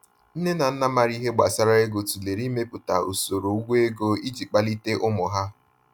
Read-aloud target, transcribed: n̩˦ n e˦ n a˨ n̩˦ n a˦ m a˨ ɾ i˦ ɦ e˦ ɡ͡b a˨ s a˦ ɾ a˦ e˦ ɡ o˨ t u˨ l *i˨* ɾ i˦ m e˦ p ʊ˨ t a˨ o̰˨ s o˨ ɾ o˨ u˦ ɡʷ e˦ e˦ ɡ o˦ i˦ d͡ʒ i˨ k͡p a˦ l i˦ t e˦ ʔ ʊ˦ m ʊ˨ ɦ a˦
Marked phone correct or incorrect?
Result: incorrect